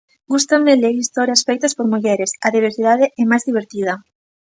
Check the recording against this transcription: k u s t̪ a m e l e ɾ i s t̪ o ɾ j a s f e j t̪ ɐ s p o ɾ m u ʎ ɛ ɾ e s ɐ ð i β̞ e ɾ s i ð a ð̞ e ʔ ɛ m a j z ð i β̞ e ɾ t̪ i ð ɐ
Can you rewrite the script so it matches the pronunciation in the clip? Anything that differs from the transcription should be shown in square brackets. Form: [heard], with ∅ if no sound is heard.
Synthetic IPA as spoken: [ɡ] u s t̪ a m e l e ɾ i s t̪ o ɾ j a s f e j t̪ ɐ s p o ɾ m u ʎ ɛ ɾ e s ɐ ð i β̞ e ɾ s i ð a ð̞ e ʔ ɛ m a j z ð i β̞ e ɾ t̪ i ð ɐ